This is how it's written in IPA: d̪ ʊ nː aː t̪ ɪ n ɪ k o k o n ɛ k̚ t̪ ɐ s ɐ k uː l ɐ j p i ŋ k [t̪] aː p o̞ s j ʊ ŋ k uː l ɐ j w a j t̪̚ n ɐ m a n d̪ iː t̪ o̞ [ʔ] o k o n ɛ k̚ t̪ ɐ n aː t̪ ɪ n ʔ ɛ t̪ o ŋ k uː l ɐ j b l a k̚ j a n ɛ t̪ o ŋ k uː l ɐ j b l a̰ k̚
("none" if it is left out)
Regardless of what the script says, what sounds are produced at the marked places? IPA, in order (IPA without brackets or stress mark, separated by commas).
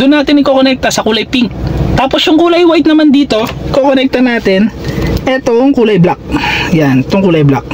t̪, k